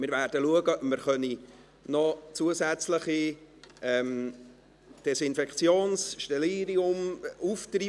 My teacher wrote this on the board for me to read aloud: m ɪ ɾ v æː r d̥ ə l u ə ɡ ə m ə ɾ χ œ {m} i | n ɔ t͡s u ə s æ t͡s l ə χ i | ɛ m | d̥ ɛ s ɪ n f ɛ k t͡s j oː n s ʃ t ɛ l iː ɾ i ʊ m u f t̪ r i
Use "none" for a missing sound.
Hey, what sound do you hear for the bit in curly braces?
n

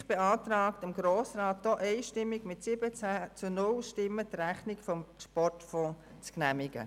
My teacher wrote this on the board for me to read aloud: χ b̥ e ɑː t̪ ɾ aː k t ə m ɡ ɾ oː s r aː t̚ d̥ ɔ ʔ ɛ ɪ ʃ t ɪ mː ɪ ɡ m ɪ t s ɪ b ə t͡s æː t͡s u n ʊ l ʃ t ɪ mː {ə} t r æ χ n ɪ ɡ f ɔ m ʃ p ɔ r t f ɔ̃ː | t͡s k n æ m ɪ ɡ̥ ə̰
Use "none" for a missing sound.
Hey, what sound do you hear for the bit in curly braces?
ə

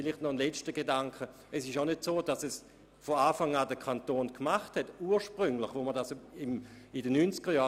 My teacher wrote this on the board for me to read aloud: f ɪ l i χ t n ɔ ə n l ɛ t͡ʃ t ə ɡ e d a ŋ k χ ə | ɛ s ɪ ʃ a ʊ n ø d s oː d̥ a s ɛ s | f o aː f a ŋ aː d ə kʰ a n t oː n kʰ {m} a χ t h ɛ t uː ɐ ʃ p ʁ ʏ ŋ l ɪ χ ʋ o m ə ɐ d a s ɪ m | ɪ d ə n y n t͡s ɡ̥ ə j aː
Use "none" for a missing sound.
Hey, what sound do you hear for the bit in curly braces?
m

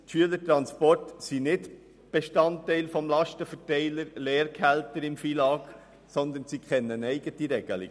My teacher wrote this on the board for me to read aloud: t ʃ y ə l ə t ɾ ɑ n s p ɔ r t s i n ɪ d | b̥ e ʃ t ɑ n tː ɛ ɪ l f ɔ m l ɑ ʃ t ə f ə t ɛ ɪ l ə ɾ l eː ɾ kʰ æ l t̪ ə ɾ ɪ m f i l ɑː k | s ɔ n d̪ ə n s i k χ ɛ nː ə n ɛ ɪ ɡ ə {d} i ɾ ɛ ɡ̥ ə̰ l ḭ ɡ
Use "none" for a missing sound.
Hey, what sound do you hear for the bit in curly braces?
t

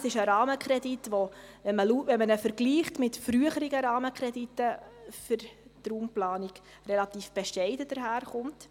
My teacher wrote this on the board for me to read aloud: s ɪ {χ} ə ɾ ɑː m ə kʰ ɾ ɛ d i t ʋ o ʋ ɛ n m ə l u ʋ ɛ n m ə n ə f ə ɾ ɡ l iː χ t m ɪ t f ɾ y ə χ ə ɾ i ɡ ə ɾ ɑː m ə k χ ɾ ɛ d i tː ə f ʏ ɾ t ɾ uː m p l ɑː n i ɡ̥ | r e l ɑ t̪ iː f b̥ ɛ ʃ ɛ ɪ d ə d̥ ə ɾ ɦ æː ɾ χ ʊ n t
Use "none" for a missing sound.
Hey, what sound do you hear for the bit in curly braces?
ʃ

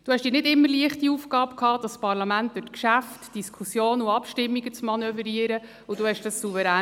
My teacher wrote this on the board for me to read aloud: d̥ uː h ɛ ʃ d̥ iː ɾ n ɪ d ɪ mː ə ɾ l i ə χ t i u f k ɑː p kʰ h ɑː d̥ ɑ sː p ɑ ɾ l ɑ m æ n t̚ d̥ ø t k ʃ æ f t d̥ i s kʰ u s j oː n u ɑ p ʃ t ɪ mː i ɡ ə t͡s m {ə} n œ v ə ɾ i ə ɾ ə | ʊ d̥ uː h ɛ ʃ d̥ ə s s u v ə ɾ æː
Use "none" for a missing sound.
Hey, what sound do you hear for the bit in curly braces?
ɑ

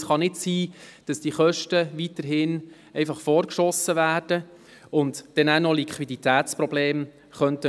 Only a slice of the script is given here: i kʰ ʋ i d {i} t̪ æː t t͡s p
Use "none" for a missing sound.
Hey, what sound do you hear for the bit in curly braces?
i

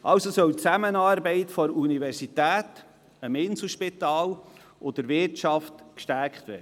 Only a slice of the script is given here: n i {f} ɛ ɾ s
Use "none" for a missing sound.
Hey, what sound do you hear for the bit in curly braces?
v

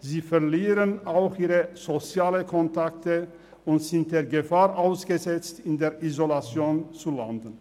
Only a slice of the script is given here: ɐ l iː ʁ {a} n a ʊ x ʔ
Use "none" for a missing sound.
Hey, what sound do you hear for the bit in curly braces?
ə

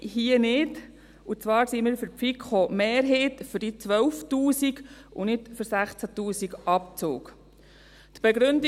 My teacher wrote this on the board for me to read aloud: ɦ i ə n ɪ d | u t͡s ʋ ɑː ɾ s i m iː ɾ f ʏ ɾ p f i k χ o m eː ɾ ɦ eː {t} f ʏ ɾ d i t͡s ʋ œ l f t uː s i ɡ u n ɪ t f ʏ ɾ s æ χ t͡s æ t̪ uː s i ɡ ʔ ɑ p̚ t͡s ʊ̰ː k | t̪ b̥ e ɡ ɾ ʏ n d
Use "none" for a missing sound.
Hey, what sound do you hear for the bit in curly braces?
t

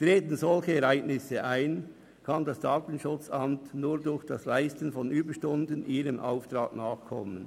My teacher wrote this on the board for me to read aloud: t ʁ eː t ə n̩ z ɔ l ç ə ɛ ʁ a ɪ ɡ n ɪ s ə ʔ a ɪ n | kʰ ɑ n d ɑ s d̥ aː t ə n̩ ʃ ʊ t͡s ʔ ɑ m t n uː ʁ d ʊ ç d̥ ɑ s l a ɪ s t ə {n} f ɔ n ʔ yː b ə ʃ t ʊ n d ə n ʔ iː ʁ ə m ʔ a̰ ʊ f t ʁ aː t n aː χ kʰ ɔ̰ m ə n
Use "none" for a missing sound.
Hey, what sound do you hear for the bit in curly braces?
n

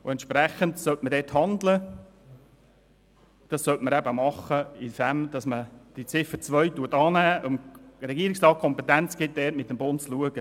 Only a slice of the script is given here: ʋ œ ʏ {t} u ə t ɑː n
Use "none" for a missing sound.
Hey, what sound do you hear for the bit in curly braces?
t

